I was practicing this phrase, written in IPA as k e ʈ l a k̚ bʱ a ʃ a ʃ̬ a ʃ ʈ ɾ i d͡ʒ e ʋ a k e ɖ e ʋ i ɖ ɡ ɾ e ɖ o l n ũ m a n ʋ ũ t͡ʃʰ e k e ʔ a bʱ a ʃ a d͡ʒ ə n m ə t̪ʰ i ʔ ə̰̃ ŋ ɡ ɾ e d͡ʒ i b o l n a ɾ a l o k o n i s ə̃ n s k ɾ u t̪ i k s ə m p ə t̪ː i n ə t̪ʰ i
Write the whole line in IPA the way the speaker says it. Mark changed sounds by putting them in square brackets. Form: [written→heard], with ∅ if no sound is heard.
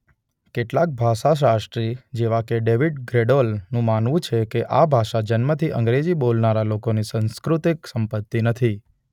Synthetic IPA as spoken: k e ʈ l a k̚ bʱ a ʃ a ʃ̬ a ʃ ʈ ɾ i d͡ʒ e ʋ a k e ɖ e ʋ i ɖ ɡ ɾ e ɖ o l n ũ m a n ʋ ũ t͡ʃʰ e k e ʔ a bʱ a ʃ a d͡ʒ ə n m ə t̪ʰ i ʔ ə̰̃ ŋ ɡ ɾ e d͡ʒ i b o l n a ɾ a l o k o n i s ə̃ n s k ɾ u t̪ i k s ə m p ə t̪ː i n ə t̪ʰ i